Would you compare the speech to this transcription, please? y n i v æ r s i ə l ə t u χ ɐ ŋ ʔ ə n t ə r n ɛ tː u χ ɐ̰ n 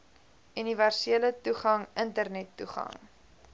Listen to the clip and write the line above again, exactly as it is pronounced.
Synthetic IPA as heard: y n i v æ r s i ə l ə t u χ ɐ ŋ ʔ ə n t ə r n ɛ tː u χ ɐ̰ ŋ